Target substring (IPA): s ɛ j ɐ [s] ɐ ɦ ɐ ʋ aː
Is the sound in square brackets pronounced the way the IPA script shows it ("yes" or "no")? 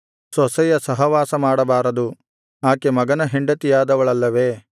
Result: yes